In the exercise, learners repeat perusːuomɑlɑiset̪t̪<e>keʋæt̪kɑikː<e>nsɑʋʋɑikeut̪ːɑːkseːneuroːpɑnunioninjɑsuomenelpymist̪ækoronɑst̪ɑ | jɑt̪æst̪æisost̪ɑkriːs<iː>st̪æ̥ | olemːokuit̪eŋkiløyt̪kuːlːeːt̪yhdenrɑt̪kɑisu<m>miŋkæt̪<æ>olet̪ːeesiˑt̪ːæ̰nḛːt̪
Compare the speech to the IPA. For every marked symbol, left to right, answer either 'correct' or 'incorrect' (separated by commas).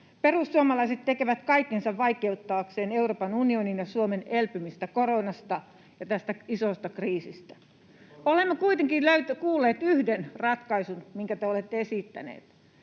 correct, correct, incorrect, incorrect, incorrect